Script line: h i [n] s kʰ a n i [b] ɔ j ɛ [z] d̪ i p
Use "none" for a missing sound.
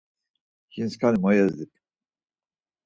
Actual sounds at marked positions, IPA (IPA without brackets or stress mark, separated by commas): n, m, z